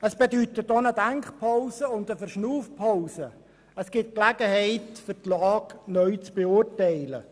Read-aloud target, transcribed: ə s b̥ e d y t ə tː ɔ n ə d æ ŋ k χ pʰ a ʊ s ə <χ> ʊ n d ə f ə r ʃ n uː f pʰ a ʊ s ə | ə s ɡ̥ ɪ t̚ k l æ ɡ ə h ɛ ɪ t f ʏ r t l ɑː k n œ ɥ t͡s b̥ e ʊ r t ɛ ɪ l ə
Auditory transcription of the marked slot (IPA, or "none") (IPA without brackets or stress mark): none